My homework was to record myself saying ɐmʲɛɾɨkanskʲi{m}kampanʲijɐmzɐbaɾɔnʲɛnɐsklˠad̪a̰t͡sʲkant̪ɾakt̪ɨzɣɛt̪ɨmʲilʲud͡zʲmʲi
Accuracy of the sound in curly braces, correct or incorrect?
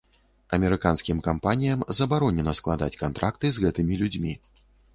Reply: correct